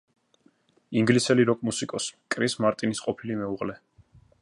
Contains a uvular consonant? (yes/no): yes